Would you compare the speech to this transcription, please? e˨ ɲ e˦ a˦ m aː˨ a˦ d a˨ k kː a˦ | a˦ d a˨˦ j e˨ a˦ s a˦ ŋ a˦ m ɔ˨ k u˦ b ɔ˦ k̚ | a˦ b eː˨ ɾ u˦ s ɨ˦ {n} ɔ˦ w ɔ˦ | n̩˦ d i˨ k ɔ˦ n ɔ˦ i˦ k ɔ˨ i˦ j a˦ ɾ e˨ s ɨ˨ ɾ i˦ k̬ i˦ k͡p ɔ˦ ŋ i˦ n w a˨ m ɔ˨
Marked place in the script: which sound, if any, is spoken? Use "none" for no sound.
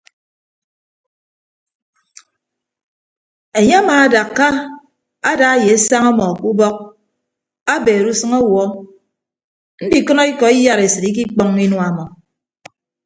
ŋ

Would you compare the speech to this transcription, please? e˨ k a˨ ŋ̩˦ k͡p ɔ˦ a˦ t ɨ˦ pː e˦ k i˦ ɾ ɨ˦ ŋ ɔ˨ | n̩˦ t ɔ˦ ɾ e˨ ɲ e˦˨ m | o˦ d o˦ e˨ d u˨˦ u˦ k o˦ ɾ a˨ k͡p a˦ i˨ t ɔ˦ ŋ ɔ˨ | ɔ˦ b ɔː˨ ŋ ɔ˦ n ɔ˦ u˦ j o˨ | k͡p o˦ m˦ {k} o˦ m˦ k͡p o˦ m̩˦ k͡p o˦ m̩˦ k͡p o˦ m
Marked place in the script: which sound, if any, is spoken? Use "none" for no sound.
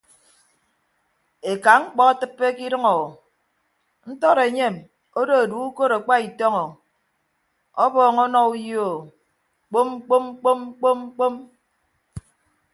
k͡p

